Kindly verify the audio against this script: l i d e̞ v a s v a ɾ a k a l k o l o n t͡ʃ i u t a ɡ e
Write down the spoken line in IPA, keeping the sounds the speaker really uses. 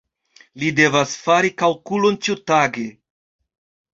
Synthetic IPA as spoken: l i d e̞ v a s f a ɾ i k a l k u l o n t͡ʃ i u t a ɡ e